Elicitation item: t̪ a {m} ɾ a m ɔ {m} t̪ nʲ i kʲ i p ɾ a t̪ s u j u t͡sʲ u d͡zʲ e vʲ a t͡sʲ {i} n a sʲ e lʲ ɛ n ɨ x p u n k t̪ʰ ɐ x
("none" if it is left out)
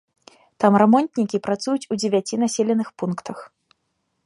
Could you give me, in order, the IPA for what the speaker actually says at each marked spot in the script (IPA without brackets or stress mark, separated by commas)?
m, n, i